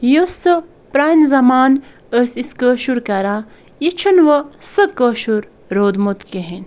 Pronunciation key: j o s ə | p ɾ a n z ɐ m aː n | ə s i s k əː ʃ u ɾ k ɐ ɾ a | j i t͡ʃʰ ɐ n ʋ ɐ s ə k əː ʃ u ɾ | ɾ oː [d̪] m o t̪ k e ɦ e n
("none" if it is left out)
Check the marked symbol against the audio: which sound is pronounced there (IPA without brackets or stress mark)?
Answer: d̪